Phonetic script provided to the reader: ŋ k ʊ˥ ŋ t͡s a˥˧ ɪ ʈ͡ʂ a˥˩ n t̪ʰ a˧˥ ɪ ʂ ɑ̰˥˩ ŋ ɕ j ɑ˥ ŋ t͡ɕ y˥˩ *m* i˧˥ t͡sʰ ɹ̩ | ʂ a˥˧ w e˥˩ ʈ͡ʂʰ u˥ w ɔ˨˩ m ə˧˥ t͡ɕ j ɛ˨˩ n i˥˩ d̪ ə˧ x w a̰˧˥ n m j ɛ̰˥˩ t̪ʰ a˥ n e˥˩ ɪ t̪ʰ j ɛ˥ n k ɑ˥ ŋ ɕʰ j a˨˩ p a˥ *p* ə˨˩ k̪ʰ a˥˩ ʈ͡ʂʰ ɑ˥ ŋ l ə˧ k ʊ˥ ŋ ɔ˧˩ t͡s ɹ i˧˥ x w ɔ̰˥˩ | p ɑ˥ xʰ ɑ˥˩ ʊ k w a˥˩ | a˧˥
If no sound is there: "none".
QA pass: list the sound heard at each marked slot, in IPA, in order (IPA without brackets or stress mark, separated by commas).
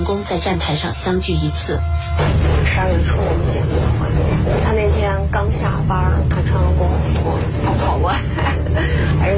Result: none, none